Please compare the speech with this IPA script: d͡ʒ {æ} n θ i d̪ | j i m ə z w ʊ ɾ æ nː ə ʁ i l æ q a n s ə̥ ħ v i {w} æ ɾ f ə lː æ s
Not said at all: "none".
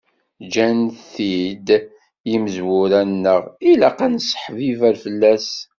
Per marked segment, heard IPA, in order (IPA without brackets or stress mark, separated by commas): æ, v